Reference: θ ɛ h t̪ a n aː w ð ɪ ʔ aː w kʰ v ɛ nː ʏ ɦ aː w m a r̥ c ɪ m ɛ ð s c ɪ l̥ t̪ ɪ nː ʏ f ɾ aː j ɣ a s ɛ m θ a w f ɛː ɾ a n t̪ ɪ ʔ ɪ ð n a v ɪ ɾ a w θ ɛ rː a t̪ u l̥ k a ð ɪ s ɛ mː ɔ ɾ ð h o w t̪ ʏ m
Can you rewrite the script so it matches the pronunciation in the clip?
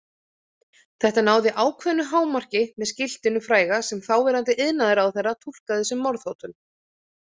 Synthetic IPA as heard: θ ɛ h t̪ a n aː w ð ɪ ʔ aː w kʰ v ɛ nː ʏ ɦ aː w m a r̥ c ɪ m ɛ ð s c ɪ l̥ t̪ ɪ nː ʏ f ɾ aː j ɣ a s ɛ m θ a w v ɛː ɾ a n t̪ ɪ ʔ ɪ ð n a ð ɪ ɾ a w θ ɛ rː a t̪ʰ u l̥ k a ð ɪ s ɛ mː ɔ ɾ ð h o w t̪ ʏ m